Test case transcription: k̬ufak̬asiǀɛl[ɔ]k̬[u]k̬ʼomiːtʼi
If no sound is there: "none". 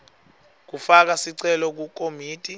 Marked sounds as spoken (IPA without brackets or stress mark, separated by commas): ɔ, u